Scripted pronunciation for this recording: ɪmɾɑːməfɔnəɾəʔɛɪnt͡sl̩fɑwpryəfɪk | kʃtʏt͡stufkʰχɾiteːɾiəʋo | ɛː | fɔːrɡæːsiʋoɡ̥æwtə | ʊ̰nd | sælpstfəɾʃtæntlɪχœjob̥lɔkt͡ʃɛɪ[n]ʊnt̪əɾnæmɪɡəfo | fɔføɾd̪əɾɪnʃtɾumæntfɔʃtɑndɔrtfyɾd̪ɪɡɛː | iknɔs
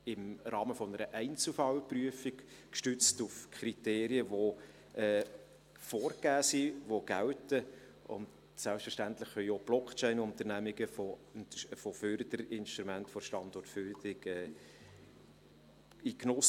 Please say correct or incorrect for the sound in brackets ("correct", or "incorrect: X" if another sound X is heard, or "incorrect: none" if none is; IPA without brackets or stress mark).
correct